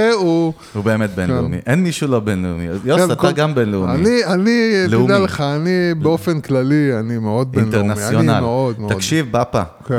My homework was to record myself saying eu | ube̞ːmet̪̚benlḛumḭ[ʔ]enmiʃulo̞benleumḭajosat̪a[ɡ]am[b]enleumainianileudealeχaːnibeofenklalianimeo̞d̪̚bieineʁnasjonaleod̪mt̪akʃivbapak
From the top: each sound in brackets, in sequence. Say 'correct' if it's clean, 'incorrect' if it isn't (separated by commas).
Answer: correct, correct, correct